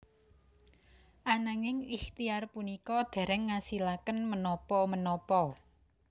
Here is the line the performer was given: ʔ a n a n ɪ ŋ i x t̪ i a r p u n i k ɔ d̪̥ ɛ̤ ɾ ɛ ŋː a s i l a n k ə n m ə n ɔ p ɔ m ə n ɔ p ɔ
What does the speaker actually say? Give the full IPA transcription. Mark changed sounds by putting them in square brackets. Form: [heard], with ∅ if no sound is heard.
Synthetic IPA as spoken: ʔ a n a [ŋ] ɪ ŋ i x t̪ i a r p u n i k ɔ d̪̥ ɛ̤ ɾ ɛ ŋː a s i l a [∅] k ə n m ə n ɔ p ɔ m ə n ɔ p ɔ

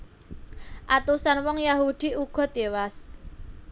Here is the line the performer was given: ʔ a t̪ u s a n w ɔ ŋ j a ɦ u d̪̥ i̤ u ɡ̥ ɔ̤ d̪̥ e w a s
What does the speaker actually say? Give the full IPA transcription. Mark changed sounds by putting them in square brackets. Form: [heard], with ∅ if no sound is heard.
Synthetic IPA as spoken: ʔ a t̪ u s a n w ɔ ŋ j a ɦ u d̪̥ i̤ u ɡ̥ ɔ̤ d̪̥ e w a s

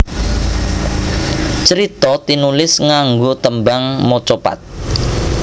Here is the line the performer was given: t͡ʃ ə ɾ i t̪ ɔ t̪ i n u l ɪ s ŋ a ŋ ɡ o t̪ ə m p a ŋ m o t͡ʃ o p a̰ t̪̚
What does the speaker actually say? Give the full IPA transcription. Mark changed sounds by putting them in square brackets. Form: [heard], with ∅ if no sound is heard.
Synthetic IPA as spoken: t͡ʃ ə ɾ i t̪ ɔ t̪ i n u l ɪ s ŋ a ŋ ɡ o t̪ ə m [b] a ŋ m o t͡ʃ o p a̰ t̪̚

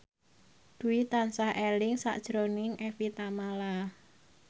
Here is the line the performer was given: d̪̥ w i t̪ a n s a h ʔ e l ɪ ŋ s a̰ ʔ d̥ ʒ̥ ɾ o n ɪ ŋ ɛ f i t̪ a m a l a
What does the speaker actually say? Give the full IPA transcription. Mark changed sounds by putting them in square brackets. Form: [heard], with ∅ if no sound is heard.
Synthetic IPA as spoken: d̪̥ [u] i t̪ a n s a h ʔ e l ɪ ŋ s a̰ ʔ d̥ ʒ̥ ɾ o n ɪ ŋ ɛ f i t̪ a m a l a

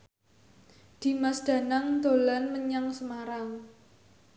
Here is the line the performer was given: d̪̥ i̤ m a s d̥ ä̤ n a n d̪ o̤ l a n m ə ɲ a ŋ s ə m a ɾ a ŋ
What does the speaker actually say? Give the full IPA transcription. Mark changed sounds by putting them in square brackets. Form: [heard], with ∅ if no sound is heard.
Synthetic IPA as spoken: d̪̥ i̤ m a s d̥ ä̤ n a [ŋ] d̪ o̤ l a n m ə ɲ a ŋ s ə m a ɾ a ŋ

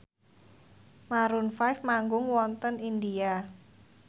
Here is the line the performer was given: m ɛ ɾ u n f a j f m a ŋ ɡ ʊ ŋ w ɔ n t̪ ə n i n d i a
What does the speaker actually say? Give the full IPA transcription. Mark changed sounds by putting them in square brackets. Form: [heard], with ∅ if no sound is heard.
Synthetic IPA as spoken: m [a] ɾ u n f a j f m a ŋ ɡ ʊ ŋ w ɔ n t̪ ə n i n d i a

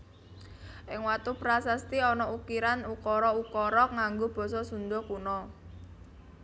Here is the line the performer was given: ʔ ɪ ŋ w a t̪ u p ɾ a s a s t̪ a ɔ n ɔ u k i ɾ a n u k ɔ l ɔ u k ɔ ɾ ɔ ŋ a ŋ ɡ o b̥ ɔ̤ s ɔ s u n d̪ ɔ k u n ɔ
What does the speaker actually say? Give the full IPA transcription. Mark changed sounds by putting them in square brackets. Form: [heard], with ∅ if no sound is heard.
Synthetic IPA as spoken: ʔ ɪ ŋ w a t̪ u p ɾ a s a s t̪ [i] ɔ n ɔ u k i ɾ a n u k ɔ [ɾ] ɔ u k ɔ ɾ ɔ ŋ a ŋ ɡ o b̥ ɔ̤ s ɔ s u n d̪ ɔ k u n ɔ

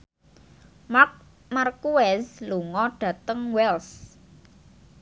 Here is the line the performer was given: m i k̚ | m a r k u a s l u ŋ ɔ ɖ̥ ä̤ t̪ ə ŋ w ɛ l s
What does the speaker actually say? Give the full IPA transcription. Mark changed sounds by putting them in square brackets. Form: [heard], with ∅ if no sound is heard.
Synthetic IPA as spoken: m [a] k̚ | m a r k u [ɛ] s l u ŋ ɔ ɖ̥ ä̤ t̪ ə ŋ w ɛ l s

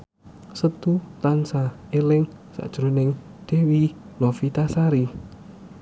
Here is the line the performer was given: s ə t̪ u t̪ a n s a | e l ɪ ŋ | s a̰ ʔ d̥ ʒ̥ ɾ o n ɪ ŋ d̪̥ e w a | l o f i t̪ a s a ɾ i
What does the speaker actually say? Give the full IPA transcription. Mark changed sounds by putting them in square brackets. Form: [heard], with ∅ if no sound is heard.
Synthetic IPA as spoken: s ə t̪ u t̪ a n s a | e l ɪ ŋ | s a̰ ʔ d̥ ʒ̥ ɾ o n ɪ ŋ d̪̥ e w [i] | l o f i t̪ a s a ɾ i

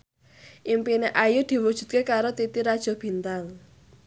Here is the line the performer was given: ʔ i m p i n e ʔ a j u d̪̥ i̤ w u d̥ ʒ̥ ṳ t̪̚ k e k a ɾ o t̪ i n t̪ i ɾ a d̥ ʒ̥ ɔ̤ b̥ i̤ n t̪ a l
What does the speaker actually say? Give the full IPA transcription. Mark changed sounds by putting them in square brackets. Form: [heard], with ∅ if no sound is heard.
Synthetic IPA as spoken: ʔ i m p i n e ʔ a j u d̪̥ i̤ w u d̥ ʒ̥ ṳ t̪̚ k e k a ɾ o t̪ i [∅] t̪ i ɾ a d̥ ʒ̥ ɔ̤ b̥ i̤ n t̪ a l

